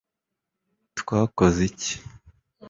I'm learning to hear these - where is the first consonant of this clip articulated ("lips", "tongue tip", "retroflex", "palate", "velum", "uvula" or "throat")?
tongue tip